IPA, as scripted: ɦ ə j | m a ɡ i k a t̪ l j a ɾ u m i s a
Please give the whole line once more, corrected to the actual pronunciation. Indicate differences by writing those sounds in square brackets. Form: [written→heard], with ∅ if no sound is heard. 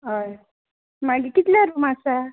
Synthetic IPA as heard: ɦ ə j | m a ɡ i k [a→i] t̪ l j a ɾ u m [i→a] s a